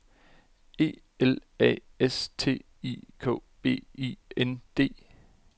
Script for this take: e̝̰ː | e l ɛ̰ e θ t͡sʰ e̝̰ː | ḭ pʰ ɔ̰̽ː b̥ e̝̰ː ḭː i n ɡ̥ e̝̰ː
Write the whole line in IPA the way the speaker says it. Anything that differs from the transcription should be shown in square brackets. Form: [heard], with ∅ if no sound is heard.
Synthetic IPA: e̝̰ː | e l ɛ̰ e [s] t͡sʰ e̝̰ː | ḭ [kʰ] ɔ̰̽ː b̥ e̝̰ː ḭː [e] n [d̥] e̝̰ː